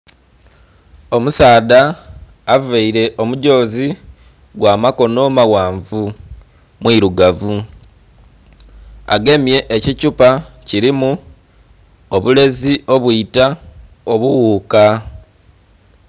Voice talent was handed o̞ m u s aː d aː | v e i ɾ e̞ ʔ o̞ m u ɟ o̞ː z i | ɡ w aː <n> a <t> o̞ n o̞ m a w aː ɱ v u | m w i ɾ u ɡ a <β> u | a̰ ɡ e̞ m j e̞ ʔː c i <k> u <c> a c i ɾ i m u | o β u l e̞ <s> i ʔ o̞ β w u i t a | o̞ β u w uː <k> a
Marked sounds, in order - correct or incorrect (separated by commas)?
incorrect, incorrect, incorrect, incorrect, incorrect, incorrect, correct